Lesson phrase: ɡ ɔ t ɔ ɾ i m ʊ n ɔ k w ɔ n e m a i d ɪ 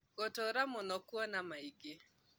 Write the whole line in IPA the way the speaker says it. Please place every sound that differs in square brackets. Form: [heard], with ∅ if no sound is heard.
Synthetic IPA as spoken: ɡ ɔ t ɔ ɾ [a] m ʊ n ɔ k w ɔ n [a] m a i [ɡ] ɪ